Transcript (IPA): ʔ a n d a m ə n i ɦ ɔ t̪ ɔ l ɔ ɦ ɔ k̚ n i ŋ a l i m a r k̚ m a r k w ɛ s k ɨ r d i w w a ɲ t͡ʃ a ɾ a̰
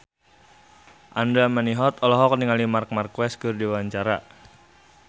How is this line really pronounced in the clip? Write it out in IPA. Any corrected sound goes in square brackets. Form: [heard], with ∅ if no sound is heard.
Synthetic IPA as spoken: ʔ a n d a m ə n i ɦ ɔ t̪ ɔ l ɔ ɦ ɔ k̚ n i ŋ a l i m a r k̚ m a r k w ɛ s k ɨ r d i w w a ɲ t͡ʃ a ɾ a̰

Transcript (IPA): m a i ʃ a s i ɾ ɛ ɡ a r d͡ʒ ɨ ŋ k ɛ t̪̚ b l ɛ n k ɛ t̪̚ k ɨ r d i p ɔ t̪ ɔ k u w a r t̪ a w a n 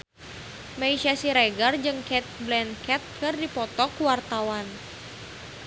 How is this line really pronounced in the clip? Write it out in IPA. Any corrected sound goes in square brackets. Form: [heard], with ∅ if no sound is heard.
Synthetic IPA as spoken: m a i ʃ a s i ɾ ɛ ɡ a r d͡ʒ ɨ ŋ k ɛ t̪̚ b l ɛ n k ɛ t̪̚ k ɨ r d i p ɔ t̪ ɔ k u w a r t̪ a w a n

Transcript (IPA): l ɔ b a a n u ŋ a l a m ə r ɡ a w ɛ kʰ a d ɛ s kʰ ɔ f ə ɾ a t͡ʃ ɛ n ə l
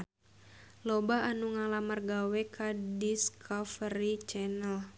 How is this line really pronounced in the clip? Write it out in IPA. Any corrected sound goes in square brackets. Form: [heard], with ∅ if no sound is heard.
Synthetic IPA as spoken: l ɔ b a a n u ŋ a l a m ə r ɡ a w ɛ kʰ a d [i] s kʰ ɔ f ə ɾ [i] t͡ʃ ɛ n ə l

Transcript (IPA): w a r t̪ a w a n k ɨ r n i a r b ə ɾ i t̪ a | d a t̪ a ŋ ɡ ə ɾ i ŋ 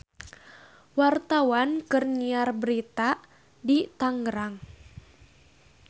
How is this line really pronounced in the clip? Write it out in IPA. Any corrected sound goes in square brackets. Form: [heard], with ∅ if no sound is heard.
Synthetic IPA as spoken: w a r t̪ a w a n k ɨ r n i a r b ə ɾ i t̪ a | d [i] t̪ a ŋ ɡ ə ɾ [a] ŋ

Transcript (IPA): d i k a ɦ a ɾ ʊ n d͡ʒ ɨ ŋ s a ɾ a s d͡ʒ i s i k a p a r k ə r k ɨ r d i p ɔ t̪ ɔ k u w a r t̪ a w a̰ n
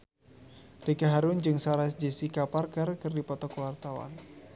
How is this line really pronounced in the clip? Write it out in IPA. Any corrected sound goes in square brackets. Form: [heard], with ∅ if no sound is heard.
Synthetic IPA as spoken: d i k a ɦ a ɾ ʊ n d͡ʒ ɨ ŋ s a ɾ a s d͡ʒ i s i k a p a r k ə r k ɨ r d i p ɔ t̪ ɔ k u w a r t̪ a w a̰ n

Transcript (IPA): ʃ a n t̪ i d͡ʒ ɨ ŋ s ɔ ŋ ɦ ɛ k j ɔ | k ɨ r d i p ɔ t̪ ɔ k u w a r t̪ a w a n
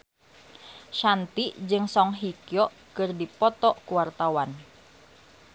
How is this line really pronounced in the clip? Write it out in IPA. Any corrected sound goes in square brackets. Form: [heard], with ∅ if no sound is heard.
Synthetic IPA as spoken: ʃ a n t̪ i d͡ʒ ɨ ŋ s ɔ ŋ ɦ [i] k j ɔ | k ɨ r d i p ɔ t̪ ɔ k u w a r t̪ a w a n

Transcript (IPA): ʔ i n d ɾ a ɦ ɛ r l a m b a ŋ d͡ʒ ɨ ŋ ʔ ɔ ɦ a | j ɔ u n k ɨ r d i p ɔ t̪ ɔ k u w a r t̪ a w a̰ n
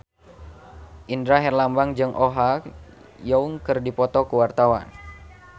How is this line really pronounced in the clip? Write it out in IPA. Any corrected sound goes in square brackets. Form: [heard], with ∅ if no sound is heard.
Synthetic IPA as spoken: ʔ i n d ɾ a ɦ ɛ r l a m b a ŋ d͡ʒ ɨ ŋ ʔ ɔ ɦ a | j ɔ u [ŋ] k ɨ r d i p ɔ t̪ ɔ k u w a r t̪ a w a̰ n

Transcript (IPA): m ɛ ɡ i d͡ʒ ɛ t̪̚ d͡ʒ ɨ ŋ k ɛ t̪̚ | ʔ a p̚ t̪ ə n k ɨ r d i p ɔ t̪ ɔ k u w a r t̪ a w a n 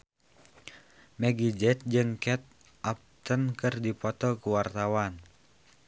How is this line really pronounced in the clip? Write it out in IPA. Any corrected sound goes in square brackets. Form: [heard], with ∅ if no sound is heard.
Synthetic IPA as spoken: m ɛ ɡ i d͡ʒ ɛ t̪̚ d͡ʒ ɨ ŋ k ɛ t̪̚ | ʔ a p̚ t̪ ə n k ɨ r d i p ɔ t̪ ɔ k u w a r t̪ a w a n

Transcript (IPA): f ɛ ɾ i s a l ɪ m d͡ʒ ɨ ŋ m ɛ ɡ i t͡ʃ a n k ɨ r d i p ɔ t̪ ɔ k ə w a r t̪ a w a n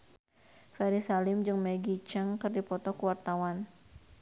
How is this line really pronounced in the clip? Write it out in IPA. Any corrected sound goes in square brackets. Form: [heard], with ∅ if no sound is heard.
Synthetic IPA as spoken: f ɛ ɾ i s a l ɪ m d͡ʒ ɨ ŋ m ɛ ɡ i t͡ʃ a [ŋ] k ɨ r d i p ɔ t̪ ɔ k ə w a r t̪ a w a n

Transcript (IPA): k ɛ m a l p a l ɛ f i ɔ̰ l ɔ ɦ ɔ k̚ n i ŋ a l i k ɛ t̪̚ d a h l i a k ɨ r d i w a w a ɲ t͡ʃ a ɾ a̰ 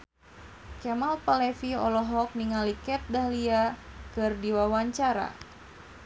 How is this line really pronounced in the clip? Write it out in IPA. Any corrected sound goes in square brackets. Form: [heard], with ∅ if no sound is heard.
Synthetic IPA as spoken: k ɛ m a l p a l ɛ f i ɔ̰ l ɔ ɦ ɔ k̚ n i ŋ a l i k ɛ t̪̚ d a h l i a k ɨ r d i w a w a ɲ t͡ʃ a ɾ a̰

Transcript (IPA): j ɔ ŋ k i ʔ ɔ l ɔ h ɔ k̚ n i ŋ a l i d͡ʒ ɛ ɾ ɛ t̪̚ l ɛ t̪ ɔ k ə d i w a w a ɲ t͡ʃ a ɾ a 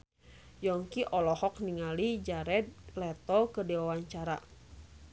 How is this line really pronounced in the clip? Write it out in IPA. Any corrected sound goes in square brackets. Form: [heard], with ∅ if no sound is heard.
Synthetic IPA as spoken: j ɔ ŋ k i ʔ ɔ l ɔ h ɔ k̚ n i ŋ a l i d͡ʒ [a] ɾ ɛ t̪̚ l ɛ t̪ ɔ k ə d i w a w a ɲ t͡ʃ a ɾ a

